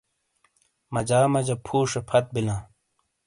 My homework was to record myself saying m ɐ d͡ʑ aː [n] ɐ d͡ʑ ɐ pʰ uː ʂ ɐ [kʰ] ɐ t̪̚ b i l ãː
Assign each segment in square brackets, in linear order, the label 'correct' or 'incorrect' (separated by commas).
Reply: incorrect, incorrect